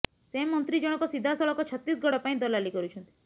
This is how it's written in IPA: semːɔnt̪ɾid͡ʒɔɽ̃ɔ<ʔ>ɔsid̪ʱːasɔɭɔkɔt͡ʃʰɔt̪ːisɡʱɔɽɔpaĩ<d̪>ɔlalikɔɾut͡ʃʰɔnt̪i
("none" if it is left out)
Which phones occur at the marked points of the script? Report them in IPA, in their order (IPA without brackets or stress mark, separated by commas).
k, d̪